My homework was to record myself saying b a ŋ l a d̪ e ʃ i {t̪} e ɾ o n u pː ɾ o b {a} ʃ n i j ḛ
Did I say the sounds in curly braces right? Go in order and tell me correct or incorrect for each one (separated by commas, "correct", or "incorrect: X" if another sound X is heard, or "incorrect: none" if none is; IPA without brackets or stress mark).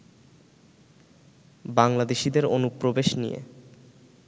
incorrect: d̪, incorrect: e